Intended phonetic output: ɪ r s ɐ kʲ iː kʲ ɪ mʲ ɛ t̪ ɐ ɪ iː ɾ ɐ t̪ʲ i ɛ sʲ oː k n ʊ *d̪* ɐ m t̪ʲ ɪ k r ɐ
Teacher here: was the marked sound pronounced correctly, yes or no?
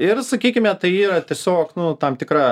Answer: no